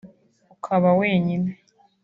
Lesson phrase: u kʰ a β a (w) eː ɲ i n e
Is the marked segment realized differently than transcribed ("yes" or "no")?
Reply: no